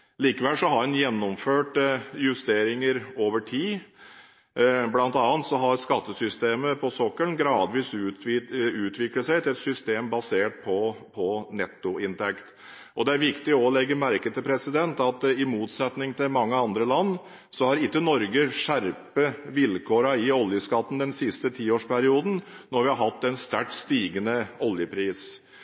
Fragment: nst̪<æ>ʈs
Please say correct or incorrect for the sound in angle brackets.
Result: correct